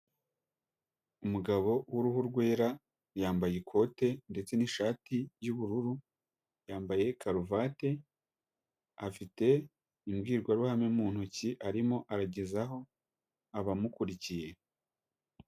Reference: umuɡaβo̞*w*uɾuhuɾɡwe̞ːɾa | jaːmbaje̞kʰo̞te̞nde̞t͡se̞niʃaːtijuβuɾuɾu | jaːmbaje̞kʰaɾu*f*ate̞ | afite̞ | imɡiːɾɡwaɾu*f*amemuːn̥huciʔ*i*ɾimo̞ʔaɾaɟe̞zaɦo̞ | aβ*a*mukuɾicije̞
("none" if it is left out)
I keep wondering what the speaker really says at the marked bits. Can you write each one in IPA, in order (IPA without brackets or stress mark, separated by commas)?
w, v, h, a, a